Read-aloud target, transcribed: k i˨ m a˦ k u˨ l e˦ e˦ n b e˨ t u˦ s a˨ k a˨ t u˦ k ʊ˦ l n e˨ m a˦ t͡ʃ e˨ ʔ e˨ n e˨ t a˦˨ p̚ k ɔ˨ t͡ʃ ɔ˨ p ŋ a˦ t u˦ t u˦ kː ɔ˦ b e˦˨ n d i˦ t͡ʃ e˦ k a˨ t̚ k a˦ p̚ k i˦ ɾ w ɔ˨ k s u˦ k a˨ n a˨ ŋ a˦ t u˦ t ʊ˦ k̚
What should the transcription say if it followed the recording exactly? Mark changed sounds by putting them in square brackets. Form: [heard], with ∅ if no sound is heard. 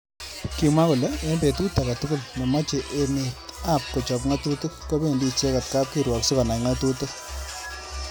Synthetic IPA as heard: k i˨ m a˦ k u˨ l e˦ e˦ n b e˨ t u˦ [t] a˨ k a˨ t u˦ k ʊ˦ l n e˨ m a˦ t͡ʃ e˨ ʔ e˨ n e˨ t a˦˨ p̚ k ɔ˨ t͡ʃ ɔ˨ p ŋ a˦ t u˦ t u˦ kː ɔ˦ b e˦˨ n d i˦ t͡ʃ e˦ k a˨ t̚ k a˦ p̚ k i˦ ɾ w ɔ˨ k s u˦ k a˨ n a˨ ŋ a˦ t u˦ t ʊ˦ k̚